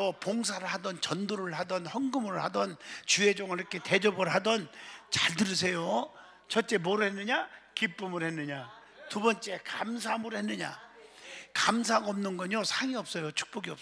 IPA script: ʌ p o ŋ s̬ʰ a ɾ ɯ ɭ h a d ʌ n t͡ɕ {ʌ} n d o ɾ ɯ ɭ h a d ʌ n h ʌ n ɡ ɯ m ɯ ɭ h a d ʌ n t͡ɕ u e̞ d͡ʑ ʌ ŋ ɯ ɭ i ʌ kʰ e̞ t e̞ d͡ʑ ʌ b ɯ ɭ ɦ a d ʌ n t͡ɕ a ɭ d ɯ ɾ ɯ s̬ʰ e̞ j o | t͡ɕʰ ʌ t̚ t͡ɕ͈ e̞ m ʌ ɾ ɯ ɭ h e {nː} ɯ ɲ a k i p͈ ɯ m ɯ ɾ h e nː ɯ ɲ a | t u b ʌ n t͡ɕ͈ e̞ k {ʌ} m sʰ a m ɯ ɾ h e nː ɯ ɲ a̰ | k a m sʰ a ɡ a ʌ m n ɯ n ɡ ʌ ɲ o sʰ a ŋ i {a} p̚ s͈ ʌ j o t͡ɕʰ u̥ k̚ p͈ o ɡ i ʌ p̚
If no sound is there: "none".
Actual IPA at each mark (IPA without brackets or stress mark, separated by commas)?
ʌ, nː, a, ʌ